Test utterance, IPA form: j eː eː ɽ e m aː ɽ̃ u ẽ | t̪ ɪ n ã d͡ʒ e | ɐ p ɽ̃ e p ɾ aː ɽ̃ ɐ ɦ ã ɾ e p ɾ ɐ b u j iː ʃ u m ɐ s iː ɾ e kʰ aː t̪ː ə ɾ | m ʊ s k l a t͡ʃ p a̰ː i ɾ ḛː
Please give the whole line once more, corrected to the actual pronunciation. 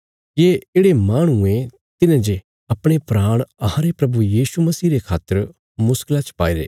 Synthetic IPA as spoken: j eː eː ɽ e m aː ɽ̃ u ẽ | t̪ ɪ n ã d͡ʒ e | ɐ p ɽ̃ e p ɾ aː ɽ̃ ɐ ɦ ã ɾ e p ɾ ɐ b u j iː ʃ u m ɐ s iː ɾ e kʰ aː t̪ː ə ɾ | m ʊ s k l a t͡ʃ p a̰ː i ɾ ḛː